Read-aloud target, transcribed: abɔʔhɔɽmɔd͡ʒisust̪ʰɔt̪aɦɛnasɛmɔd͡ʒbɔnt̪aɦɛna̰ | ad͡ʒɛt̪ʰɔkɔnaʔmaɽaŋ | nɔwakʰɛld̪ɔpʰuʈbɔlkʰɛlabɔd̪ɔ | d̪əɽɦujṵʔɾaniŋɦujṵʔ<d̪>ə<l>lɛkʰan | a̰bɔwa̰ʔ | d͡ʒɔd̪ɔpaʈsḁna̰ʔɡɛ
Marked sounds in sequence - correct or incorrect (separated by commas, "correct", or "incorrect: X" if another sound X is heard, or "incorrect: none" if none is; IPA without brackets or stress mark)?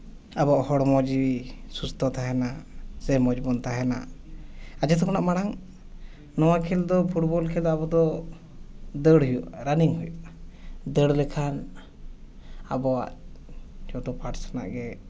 correct, incorrect: ɽ